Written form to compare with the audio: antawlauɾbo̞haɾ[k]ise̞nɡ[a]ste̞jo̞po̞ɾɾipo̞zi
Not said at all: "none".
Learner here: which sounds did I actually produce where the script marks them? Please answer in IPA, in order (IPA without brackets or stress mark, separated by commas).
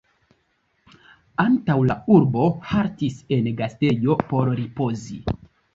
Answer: t, a